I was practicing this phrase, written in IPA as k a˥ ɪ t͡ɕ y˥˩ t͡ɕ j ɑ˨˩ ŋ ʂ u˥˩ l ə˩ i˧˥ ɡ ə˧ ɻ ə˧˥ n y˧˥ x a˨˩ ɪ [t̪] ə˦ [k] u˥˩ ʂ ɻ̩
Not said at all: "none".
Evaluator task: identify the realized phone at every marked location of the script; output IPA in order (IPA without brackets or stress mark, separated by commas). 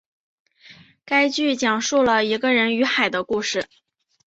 d̪, k